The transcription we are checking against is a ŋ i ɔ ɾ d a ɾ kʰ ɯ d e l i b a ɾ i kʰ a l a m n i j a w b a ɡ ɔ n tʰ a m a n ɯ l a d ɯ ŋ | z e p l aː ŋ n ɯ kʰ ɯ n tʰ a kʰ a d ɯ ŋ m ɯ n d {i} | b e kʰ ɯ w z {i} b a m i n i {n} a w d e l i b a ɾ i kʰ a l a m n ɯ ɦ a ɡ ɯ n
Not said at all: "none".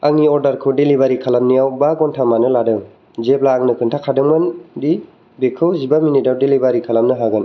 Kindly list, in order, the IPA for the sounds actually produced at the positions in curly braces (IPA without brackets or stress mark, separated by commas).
i, i, d